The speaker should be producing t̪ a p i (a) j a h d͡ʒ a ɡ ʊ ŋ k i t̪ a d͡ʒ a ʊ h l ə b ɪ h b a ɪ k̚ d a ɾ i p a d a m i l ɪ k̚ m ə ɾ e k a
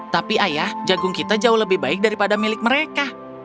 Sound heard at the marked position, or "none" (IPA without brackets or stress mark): a